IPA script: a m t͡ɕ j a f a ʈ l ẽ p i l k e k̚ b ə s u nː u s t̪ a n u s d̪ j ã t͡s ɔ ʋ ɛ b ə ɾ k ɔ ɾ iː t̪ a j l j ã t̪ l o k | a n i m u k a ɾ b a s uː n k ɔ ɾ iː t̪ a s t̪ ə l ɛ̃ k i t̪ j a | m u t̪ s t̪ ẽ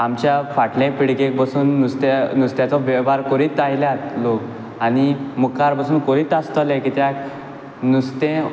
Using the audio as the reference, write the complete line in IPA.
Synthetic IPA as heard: a m t͡ɕ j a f a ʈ l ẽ p i ɽ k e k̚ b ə s uː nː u s t̪ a n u s t̪ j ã t͡s ɔ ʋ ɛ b a ɾ k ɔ ɾ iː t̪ a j l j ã t̪ l o k | a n i m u k a ɾ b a s uː n k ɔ ɾ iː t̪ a s t̪ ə l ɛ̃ k i t̪ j a | n u s t̪ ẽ